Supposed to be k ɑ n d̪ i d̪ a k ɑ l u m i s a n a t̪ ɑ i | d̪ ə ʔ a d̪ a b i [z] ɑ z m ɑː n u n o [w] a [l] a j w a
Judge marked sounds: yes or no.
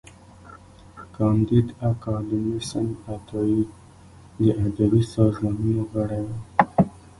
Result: no, no, no

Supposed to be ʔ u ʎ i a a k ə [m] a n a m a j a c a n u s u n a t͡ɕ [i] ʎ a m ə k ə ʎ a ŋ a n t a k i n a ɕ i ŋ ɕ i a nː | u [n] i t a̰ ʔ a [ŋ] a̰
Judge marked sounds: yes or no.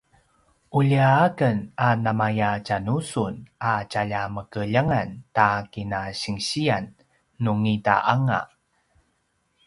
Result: no, no, no, yes

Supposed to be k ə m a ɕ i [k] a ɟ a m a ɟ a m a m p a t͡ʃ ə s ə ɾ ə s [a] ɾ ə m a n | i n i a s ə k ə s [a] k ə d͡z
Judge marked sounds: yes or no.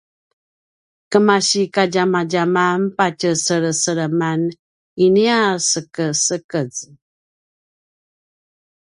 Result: yes, no, no

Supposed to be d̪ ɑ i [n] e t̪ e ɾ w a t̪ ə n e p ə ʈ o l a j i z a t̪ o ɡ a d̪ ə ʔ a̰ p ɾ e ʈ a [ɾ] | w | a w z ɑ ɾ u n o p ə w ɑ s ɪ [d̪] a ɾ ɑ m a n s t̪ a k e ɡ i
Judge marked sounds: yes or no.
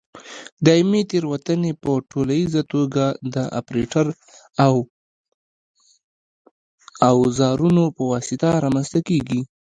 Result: no, yes, no

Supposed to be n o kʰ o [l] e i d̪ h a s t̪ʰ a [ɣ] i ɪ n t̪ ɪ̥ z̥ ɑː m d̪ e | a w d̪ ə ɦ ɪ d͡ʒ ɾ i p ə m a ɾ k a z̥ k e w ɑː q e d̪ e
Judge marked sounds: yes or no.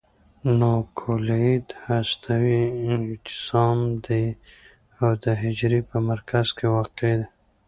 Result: yes, no

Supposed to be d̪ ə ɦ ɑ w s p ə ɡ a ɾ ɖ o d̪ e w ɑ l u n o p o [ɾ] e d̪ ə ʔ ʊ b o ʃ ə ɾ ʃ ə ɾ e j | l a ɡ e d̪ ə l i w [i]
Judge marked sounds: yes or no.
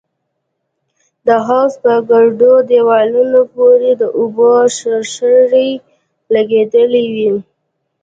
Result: yes, yes

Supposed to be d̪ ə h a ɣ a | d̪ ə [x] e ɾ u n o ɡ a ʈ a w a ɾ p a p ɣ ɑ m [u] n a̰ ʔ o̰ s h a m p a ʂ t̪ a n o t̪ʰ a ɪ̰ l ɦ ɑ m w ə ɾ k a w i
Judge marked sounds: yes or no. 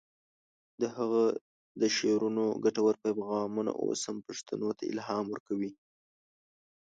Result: no, yes

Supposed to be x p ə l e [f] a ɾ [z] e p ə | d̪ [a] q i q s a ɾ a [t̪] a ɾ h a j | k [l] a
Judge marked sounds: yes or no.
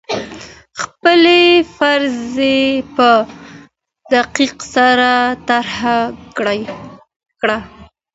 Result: yes, yes, yes, yes, no

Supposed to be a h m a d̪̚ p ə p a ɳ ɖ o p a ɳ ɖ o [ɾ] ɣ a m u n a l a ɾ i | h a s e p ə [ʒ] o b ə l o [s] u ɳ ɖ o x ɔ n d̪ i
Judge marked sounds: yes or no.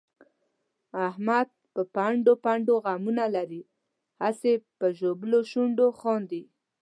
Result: no, yes, no

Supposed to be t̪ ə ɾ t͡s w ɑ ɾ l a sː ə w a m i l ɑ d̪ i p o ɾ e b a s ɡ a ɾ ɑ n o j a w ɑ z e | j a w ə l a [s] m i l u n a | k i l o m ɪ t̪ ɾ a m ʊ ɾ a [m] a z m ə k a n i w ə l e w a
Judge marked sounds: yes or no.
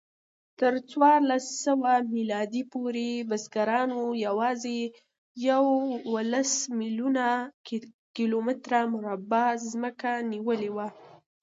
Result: yes, no

